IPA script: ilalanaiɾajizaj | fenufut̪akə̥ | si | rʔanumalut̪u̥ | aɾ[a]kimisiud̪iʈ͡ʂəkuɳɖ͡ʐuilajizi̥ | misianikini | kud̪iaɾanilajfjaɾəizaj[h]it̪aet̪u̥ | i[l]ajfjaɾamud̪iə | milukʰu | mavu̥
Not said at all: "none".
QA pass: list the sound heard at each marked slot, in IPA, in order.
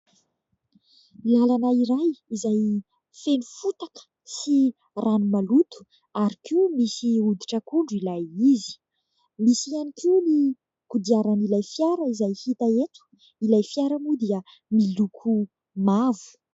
i, h, l

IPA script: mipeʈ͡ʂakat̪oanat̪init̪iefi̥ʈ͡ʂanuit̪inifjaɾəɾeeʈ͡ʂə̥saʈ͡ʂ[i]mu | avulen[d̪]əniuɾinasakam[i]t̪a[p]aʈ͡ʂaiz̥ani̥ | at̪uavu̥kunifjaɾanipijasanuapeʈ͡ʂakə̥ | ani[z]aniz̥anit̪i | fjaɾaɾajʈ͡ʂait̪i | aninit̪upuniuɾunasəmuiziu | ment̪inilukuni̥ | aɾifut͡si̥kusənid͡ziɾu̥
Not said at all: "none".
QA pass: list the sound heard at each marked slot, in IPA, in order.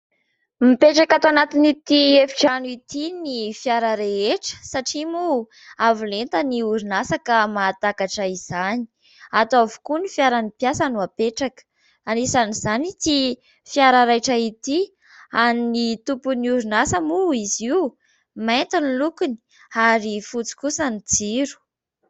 i, t̪, a, k, s

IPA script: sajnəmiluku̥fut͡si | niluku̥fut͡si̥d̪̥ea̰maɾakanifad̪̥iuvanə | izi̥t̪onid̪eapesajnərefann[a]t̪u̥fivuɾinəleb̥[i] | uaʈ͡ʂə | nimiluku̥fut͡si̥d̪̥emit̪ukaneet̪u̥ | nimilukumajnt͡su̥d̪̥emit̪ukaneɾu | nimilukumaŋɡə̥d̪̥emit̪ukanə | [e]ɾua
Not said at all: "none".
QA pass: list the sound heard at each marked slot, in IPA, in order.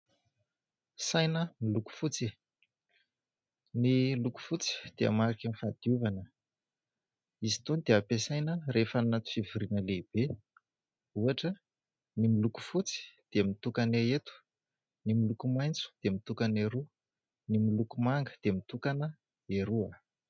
a, e, e

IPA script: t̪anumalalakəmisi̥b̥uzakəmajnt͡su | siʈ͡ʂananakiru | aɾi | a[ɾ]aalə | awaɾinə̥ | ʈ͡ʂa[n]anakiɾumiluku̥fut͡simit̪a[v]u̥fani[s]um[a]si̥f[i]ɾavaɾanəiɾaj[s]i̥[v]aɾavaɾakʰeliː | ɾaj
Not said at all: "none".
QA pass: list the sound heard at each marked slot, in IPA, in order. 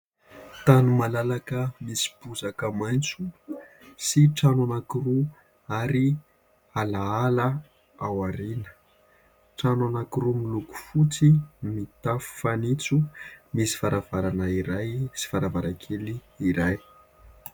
l, n, f, t͡s, i, a, s, f

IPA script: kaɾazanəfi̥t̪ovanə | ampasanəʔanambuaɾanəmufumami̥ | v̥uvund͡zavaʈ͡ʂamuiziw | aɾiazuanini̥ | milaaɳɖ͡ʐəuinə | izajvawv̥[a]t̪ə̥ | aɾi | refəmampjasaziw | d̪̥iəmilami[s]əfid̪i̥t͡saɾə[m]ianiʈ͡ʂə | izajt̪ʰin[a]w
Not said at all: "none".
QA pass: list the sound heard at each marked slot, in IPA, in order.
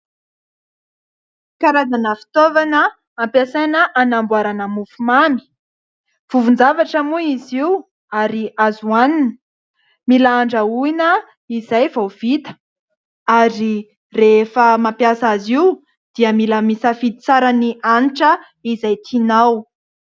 i, s, n, a

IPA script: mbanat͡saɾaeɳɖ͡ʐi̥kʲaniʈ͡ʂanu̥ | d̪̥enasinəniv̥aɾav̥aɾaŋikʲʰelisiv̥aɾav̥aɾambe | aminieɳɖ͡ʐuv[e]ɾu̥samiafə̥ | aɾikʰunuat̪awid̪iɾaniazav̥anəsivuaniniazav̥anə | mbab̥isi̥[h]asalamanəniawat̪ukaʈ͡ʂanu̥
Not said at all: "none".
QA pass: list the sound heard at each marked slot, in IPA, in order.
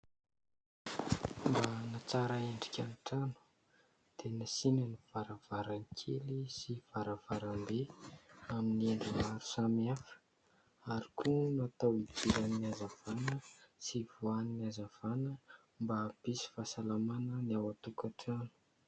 a, f

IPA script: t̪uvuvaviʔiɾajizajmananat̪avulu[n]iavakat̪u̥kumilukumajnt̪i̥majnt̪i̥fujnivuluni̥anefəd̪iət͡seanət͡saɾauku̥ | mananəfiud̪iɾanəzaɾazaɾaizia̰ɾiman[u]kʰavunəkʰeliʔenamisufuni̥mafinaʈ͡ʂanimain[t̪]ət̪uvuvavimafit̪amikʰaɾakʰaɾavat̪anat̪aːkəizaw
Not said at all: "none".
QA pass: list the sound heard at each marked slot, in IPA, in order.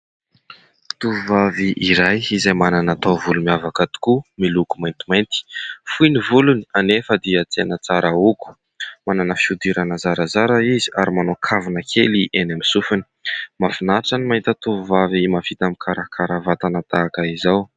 m, o, t̪

